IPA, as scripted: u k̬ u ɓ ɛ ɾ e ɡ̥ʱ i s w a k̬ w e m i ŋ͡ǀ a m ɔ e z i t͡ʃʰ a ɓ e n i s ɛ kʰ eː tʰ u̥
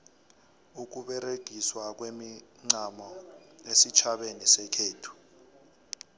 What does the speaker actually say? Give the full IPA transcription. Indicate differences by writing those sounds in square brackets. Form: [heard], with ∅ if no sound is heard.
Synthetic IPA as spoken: u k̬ u ɓ ɛ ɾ e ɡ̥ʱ i s w a k̬ w e m i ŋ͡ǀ a m ɔ e [s] i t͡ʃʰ a ɓ e n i s ɛ kʰ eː tʰ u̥